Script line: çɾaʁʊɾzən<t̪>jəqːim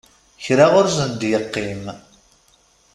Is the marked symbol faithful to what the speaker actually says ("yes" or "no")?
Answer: no